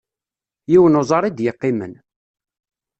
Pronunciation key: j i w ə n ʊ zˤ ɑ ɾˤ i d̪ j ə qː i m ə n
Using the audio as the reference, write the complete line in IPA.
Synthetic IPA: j i w ə n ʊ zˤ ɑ ɾˤ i d̪ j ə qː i m ə n